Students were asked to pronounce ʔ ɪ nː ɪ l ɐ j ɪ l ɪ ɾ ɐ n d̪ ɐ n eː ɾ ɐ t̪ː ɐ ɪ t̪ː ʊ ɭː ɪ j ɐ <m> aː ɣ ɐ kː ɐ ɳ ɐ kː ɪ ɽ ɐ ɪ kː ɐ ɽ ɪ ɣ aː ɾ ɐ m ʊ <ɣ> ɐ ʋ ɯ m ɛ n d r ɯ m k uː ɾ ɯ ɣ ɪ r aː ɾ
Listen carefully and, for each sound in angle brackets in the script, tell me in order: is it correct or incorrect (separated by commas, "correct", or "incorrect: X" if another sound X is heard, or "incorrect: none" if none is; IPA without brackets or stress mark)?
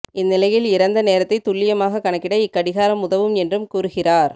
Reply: correct, incorrect: ð